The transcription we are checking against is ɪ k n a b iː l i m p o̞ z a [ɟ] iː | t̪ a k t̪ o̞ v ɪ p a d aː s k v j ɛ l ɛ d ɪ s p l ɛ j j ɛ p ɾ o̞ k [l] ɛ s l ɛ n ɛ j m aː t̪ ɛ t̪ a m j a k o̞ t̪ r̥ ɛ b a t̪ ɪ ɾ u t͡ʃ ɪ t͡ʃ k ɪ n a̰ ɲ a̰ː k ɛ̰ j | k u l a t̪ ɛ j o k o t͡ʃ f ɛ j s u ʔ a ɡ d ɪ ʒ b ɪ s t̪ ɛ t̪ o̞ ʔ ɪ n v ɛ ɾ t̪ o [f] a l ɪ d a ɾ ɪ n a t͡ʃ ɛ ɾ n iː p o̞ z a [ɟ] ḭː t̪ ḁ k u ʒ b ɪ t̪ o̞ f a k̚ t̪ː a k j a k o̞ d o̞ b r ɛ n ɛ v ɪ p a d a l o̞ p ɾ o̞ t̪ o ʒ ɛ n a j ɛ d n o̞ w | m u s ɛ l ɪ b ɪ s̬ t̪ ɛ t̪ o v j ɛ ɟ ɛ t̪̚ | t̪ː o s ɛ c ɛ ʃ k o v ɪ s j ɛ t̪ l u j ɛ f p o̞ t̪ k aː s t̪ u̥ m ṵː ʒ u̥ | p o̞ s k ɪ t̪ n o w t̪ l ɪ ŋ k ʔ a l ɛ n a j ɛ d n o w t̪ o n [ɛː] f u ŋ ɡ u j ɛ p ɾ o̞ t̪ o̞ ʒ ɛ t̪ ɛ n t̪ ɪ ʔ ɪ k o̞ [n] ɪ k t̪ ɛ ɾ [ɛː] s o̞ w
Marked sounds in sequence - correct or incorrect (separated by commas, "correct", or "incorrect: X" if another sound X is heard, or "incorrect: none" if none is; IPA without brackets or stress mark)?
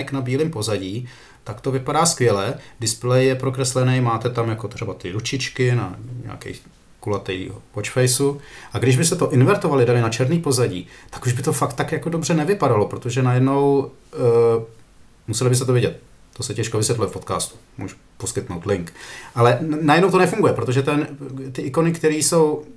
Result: correct, incorrect: ɾ, incorrect: v, correct, incorrect: ɛ, correct, incorrect: iː